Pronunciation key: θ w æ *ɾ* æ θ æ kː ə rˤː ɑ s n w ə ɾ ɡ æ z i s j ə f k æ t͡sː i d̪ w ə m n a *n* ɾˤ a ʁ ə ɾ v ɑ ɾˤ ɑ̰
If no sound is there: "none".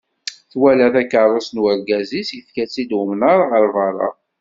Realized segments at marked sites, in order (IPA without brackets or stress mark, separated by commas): l, none